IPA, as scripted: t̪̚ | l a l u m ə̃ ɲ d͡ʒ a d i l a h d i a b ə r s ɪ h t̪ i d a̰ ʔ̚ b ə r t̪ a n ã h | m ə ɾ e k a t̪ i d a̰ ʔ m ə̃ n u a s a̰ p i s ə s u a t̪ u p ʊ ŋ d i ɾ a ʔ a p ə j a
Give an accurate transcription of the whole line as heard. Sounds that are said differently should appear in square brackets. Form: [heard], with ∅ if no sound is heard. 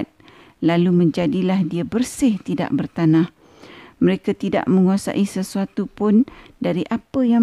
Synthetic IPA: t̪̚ | l a l u m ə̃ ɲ d͡ʒ a d i l a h d i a b ə r s ɪ h t̪ i d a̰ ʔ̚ b ə r t̪ a n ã h | m ə ɾ e k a t̪ i d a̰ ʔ m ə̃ [ŋ] u a s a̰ [ʔ] i s ə s u a t̪ u p ʊ [n] d [a] ɾ [i] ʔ a p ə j a